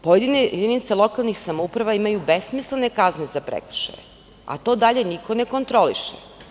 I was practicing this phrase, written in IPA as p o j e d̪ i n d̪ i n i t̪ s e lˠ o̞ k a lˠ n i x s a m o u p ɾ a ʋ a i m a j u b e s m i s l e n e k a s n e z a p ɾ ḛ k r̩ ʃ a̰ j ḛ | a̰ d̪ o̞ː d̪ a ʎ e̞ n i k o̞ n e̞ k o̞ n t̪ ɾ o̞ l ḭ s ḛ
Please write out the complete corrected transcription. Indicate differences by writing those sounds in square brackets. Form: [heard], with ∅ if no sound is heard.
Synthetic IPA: p o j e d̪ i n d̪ i n i t̪ s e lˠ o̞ k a lˠ n i x s a m o u p ɾ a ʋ a i m a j u b e s m i s l e n e k a [z] n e z a p ɾ ḛ k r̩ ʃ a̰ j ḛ | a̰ [t̪] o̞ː d̪ a ʎ e̞ n i k o̞ n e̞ k o̞ n t̪ ɾ o̞ l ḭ [ʃ] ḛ

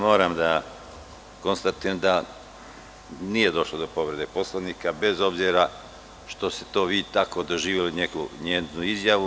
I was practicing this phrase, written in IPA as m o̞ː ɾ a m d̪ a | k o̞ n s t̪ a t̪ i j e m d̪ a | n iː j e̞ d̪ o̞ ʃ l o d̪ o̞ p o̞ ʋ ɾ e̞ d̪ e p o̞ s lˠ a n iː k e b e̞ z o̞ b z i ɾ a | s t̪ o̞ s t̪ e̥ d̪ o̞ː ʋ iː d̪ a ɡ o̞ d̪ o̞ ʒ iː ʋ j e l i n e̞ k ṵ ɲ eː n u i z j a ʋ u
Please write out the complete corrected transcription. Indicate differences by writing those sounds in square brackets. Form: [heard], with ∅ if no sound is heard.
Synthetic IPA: m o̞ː ɾ a m d̪ a | k o̞ n s t̪ a t̪ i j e m d̪ a | n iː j e̞ d̪ o̞ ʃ l o d̪ o̞ p o̞ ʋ ɾ e̞ d̪ e p o̞ s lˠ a n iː k [a] b e̞ z o̞ b z i ɾ a | [ʃ] t̪ o̞ s t̪ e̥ [t̪] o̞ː ʋ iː [t̪] a [k] o̞ d̪ o̞ ʒ iː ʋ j e l i n e̞ k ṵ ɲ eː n u i z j a ʋ u

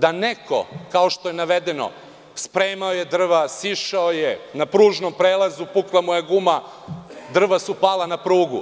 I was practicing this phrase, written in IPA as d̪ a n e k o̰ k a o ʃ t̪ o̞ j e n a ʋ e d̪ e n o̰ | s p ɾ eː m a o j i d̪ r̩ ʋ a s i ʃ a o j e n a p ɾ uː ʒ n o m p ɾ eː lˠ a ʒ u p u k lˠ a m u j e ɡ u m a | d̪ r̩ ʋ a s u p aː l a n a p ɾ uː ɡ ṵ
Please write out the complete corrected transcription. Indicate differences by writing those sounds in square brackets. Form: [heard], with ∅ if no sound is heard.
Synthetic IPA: d̪ a n e k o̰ k a o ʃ t̪ o̞ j e n a ʋ e d̪ e n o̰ | s p ɾ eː m a o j [e] d̪ r̩ ʋ a s i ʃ a o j e n a p ɾ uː ʒ n o m p ɾ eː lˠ a [z] u p u k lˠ a m u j e ɡ u m a | d̪ r̩ ʋ a s u p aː l a n a p ɾ uː ɡ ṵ

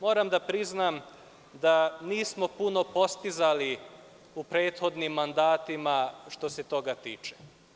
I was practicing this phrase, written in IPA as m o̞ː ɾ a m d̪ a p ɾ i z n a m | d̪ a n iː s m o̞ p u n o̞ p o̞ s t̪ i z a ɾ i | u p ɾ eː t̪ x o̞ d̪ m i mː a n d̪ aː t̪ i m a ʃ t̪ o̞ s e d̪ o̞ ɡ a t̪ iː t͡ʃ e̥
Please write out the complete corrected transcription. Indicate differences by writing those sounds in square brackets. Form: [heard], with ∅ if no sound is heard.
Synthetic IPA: m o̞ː ɾ a m d̪ a p ɾ i z n a m | d̪ a n iː s m o̞ p u n o̞ p o̞ s t̪ i z a [l] i | u p ɾ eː t̪ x o̞ d̪ [n] i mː a n d̪ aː t̪ i m a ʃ t̪ o̞ s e [t̪] o̞ ɡ a t̪ iː t͡ʃ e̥

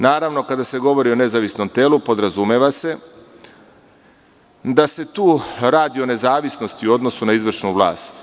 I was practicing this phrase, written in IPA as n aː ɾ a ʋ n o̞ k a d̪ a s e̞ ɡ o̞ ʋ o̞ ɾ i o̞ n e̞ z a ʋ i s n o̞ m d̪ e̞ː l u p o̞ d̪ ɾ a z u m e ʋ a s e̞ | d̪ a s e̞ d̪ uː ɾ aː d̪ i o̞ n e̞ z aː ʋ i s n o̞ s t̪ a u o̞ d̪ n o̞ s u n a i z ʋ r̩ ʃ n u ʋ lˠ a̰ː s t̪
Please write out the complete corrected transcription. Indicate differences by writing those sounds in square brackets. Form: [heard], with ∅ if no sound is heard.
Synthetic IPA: n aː ɾ a ʋ n o̞ k a d̪ a s e̞ ɡ o̞ ʋ o̞ ɾ i o̞ n e̞ z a ʋ i s n o̞ m [t̪] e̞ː l u p o̞ d̪ ɾ a z u m e ʋ a s e̞ | d̪ a s e̞ [t̪] uː ɾ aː d̪ i o̞ n e̞ z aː ʋ i s n o̞ s t̪ [i] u o̞ d̪ n o̞ s u n a i z ʋ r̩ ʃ n u ʋ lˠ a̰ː s t̪

